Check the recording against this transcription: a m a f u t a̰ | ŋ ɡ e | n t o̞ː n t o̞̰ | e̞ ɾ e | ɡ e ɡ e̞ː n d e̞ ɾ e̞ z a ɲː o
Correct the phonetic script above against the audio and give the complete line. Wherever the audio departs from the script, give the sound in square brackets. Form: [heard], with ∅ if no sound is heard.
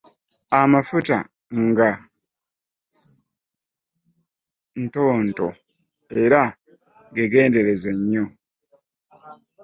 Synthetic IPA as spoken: a m a f u t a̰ | ŋ ɡ [a] | n t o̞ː n t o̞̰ | e̞ ɾ [a] | ɡ e ɡ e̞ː n d e̞ ɾ e̞ z [e] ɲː o